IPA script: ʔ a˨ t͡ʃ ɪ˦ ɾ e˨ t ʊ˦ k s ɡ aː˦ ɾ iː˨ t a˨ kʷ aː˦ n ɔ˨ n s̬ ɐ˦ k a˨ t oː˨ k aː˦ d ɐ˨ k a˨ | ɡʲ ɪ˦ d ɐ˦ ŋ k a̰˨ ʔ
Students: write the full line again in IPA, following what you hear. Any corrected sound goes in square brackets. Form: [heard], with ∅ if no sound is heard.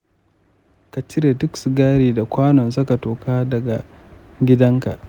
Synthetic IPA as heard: [k] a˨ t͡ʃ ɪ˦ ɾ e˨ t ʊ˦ k s ɡ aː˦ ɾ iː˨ [d] a˨ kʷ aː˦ n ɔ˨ n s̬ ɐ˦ k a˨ t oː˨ k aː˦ d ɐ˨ [ɡ] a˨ | ɡʲ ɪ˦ d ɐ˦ ŋ k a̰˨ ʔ